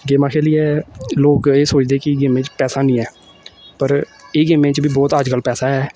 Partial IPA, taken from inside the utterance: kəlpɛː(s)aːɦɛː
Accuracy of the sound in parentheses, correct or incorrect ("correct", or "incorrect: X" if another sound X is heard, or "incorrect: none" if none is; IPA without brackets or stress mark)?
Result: correct